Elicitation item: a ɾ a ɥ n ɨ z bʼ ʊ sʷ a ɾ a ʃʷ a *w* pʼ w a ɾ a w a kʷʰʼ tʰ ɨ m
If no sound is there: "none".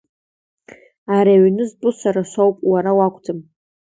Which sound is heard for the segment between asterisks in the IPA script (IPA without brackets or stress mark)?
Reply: w